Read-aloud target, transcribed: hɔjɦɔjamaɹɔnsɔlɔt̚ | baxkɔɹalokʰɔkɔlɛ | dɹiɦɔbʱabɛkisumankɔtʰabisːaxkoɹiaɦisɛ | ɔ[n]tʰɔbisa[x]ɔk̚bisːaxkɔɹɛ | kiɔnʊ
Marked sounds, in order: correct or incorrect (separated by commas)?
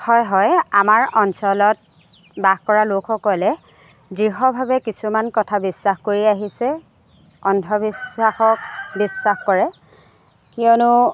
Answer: correct, correct